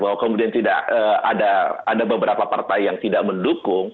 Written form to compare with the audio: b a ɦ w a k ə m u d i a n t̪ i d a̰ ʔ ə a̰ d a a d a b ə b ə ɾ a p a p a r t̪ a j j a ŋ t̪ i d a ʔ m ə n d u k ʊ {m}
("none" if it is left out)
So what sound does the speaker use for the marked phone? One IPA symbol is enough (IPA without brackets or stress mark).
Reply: ŋ